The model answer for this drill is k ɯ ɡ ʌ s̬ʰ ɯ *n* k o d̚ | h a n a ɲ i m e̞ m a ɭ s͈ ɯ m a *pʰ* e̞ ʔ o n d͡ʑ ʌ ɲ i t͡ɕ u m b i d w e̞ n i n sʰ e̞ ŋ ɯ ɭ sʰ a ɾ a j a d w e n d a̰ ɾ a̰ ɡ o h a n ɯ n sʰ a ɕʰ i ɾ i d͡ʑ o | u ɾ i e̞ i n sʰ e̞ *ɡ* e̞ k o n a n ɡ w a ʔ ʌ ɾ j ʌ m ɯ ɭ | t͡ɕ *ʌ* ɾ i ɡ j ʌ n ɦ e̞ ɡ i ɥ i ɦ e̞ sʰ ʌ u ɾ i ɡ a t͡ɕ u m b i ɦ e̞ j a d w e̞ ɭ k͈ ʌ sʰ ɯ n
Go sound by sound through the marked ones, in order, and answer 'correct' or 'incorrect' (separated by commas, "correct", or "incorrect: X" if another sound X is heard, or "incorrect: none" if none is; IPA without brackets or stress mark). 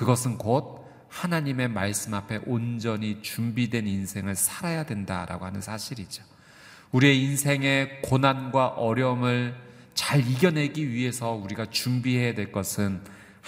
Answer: correct, correct, incorrect: ŋ, incorrect: a